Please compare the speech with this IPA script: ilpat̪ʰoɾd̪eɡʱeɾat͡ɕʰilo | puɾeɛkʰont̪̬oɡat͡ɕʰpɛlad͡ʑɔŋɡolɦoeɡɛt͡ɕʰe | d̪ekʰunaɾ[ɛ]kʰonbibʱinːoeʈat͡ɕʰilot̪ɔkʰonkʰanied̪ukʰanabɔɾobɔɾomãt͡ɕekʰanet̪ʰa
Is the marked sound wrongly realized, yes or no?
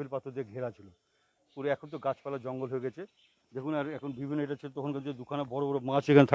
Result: no